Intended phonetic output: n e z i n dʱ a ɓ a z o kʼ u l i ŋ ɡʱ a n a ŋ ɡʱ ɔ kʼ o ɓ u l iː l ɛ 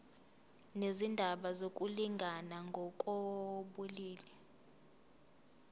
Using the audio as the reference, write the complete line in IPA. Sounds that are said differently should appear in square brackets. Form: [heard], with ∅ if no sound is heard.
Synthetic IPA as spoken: n e z i n dʱ a ɓ a z o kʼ u l i ŋ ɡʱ a n a ŋ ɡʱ ɔ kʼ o ɓ u l iː l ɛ